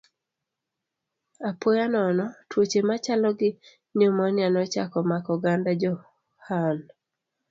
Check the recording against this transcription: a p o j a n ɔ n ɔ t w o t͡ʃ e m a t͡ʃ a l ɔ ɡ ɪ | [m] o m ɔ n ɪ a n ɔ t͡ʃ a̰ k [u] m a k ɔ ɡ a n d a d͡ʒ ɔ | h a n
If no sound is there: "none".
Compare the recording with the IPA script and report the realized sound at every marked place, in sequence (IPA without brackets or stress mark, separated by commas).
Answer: ɲ, ɔ